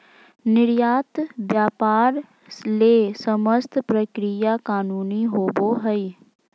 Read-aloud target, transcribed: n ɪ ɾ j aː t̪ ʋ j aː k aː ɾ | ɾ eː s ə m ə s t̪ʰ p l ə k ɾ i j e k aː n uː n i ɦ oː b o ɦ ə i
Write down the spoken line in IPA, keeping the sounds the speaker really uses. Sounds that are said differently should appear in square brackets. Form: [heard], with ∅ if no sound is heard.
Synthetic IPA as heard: n ɪ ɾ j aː t̪ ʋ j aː [p] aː ɾ | [l] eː s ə m ə s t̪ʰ p [ɾ] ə k ɾ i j [a] k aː n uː n i ɦ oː b o ɦ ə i